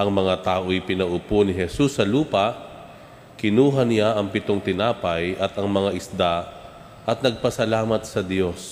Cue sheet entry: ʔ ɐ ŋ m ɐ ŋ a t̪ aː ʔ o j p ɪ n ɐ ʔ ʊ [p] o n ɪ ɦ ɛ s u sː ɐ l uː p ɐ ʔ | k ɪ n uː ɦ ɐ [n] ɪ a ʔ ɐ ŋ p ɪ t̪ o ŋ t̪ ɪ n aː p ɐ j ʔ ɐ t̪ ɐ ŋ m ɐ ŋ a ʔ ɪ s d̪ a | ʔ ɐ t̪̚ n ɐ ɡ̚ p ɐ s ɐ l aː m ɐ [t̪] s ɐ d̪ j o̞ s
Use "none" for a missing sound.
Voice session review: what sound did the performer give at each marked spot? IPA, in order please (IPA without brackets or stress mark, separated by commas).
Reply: p, n, t̪